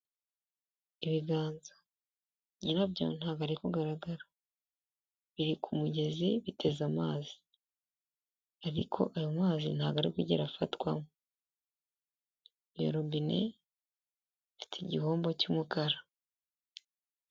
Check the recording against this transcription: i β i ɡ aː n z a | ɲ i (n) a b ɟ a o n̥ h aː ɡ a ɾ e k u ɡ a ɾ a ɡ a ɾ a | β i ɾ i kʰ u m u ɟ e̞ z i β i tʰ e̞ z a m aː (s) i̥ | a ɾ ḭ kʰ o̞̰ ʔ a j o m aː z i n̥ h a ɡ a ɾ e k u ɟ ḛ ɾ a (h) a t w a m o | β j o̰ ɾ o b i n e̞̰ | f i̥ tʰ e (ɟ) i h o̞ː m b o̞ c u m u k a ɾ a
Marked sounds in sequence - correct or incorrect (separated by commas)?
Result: correct, incorrect, incorrect, correct